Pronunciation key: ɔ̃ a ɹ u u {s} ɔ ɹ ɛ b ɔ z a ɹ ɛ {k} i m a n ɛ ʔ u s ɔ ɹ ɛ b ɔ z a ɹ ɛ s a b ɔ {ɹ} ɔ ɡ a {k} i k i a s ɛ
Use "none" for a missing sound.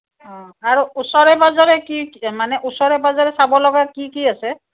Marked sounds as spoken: s, k, l, k

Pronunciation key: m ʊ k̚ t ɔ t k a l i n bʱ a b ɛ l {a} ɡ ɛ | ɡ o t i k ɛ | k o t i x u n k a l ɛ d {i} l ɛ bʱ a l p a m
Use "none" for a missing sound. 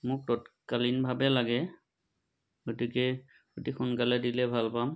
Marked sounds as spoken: a, i

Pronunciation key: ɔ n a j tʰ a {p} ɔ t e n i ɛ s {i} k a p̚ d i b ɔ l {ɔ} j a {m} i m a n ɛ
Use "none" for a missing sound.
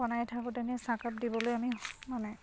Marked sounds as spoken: k, a, o, m

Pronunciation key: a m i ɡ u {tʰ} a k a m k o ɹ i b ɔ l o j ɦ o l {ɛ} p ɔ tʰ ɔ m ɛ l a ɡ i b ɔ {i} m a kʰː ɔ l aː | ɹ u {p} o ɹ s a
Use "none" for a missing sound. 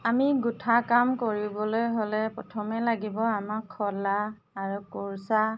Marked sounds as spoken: tʰ, ɛ, a, k

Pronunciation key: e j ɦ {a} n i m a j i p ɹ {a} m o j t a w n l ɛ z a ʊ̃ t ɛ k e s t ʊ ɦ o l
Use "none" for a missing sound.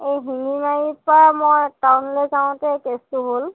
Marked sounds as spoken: i, a

